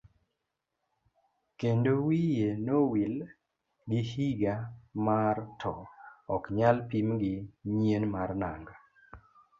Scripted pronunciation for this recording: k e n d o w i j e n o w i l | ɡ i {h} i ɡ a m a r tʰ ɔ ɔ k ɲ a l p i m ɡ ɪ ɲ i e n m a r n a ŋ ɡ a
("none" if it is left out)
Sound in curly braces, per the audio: h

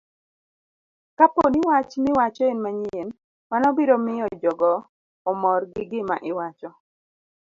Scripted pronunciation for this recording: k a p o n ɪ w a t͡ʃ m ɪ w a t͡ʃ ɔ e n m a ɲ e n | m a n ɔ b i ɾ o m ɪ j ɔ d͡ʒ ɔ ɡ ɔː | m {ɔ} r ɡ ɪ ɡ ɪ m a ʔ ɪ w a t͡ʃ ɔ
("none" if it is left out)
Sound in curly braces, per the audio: ɔ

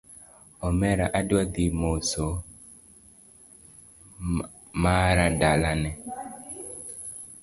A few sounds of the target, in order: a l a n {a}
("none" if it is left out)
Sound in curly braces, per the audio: ɛ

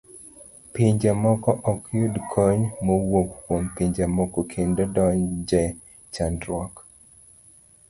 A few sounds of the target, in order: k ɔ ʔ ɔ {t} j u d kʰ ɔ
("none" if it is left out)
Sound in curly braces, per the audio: k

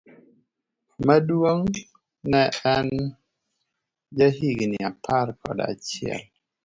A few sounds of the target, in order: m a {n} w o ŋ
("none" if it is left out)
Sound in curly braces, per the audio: d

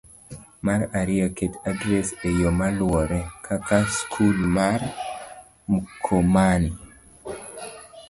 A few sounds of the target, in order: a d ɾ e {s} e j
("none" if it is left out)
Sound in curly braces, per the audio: s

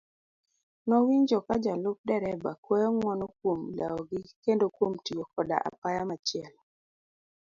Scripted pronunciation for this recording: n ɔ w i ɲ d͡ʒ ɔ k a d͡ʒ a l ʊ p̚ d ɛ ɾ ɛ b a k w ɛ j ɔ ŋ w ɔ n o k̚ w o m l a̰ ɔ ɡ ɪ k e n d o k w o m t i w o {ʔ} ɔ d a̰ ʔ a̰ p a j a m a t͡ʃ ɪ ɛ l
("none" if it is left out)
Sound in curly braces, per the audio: k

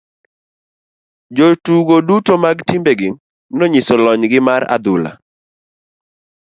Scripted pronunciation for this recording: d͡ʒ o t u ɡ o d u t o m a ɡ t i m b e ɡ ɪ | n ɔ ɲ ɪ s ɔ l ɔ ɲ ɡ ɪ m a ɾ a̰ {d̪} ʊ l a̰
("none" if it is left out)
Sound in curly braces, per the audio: d̪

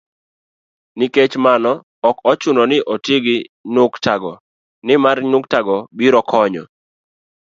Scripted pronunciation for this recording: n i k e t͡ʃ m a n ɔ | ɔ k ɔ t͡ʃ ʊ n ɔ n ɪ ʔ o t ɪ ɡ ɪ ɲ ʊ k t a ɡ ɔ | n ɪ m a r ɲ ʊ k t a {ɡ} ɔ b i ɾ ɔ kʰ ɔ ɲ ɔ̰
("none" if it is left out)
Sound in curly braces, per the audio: ɡ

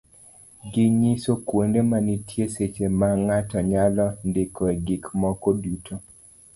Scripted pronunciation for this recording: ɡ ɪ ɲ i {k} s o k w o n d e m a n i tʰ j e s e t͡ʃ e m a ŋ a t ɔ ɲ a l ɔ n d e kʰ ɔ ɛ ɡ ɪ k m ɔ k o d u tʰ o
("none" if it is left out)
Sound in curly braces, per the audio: none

